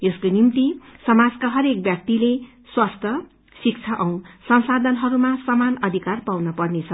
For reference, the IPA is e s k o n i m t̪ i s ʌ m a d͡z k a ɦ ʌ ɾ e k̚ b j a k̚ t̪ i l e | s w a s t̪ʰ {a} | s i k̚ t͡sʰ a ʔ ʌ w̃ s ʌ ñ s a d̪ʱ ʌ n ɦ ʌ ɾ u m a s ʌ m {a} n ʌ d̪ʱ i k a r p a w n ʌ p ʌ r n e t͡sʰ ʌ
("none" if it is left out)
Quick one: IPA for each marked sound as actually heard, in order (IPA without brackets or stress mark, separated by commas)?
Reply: ʌ, a